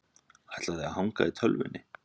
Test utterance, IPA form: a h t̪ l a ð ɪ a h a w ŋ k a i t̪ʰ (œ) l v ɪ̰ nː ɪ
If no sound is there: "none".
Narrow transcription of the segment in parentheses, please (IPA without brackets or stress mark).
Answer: œ